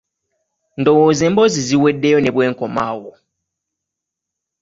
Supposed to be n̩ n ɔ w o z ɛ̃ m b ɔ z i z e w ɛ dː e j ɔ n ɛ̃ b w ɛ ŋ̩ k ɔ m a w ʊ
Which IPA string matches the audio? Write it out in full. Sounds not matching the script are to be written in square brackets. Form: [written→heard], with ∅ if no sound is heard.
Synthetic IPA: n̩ [n→d] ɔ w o z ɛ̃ m b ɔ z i z [e→i] w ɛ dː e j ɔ n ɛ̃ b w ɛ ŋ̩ k ɔ m a w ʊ